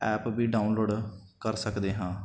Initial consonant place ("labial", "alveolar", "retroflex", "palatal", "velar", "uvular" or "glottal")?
labial